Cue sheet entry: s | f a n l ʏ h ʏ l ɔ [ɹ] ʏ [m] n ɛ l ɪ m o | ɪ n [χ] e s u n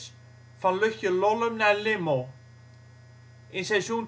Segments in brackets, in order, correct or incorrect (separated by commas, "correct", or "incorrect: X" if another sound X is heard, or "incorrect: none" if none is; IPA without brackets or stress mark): incorrect: l, correct, incorrect: s